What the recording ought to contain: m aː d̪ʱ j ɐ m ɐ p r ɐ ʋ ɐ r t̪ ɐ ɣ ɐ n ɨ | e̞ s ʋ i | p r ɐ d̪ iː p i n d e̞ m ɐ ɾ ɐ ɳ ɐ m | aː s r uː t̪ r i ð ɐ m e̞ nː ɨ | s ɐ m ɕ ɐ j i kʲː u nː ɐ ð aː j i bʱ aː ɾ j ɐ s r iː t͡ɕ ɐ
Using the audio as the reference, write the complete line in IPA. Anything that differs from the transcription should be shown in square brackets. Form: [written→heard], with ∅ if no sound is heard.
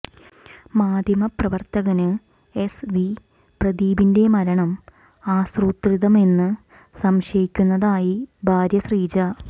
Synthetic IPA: m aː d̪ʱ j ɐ m ɐ p r ɐ ʋ ɐ r t̪ ɐ ɣ ɐ n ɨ | e̞ s ʋ i | p r ɐ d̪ iː [p→b] i n d e̞ m ɐ ɾ ɐ ɳ ɐ m | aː s r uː t̪ r i ð ɐ m e̞ nː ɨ | s ɐ m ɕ ɐ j i kʲː u nː ɐ ð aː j i bʱ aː ɾ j ɐ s r iː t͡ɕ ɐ